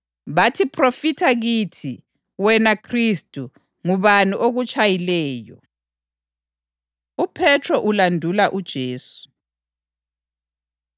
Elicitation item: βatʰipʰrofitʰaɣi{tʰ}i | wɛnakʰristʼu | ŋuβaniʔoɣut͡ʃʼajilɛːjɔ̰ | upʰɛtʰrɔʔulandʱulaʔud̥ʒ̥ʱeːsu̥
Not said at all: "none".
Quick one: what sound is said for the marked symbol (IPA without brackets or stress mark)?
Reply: tʰ